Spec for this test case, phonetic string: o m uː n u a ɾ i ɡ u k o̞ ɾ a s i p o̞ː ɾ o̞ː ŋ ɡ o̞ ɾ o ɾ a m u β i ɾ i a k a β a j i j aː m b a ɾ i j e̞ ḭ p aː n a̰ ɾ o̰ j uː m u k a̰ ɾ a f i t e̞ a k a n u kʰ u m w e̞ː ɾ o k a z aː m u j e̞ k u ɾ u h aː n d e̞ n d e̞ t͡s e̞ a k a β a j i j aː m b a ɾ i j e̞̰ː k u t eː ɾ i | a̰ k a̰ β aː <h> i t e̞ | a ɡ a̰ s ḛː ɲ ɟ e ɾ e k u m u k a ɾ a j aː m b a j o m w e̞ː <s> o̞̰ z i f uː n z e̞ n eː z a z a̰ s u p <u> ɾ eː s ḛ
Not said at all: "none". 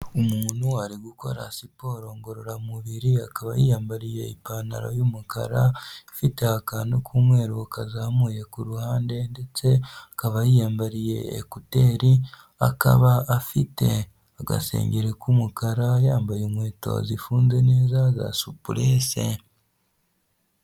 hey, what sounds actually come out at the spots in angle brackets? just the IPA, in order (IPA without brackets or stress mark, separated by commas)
f, t, u